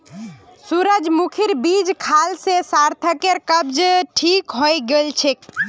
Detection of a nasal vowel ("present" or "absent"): absent